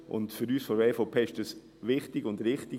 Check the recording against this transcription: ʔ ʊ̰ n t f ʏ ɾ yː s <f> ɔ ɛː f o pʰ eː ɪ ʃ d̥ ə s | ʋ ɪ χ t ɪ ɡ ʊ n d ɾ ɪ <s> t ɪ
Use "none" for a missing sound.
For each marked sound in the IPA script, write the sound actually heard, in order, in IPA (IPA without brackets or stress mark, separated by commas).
f, χ